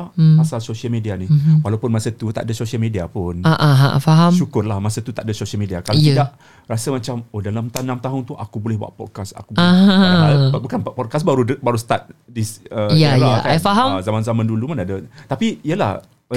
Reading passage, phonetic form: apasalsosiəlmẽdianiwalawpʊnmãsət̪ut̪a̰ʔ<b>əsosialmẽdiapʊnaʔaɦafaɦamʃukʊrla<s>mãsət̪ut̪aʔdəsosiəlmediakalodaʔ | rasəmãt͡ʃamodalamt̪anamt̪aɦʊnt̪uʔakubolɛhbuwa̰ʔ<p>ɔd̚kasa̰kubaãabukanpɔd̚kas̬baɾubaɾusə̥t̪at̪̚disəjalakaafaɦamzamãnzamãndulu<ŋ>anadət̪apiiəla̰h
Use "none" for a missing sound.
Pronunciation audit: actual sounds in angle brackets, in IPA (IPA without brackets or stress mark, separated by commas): d, h, p, m